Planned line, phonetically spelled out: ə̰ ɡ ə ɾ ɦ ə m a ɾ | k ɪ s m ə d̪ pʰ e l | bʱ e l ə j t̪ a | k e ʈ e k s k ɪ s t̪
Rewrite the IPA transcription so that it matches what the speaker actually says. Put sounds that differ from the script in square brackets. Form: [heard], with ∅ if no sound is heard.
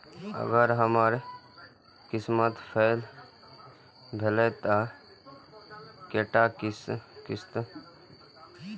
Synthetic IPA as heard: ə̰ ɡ ə ɾ ɦ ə m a ɾ | k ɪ s m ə [t̪] pʰ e l | bʱ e l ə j t̪ a | k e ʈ [a] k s k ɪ s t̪

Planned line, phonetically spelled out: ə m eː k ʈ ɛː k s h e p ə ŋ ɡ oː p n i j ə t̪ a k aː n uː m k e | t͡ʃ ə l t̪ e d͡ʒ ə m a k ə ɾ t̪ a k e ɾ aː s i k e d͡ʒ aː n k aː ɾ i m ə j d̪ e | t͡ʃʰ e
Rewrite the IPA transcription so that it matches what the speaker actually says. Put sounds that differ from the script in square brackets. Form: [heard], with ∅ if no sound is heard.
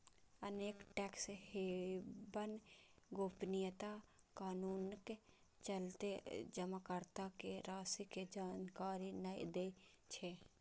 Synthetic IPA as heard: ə [n] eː k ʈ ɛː k s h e [b] ə [n] ɡ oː p n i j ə t̪ a k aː n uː [n] k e | t͡ʃ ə l t̪ e d͡ʒ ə m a k ə ɾ t̪ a k e ɾ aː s i k e d͡ʒ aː n k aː ɾ i [n] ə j d̪ e | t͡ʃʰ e

